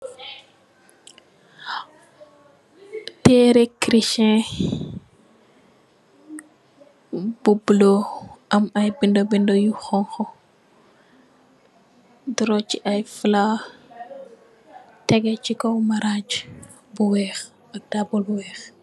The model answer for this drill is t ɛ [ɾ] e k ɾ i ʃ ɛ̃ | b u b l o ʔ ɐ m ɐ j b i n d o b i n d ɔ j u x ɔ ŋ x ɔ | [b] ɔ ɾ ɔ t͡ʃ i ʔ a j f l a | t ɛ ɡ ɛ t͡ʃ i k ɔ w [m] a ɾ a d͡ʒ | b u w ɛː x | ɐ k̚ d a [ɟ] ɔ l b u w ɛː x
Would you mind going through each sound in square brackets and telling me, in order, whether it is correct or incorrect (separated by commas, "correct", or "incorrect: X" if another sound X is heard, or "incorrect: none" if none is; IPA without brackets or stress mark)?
correct, incorrect: d, correct, incorrect: b